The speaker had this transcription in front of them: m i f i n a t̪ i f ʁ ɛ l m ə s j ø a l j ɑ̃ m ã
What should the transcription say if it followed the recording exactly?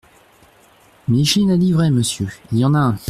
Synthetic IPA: m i ʃ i n a d̪ i v ʁ ɛ m ə s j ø i l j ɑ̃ n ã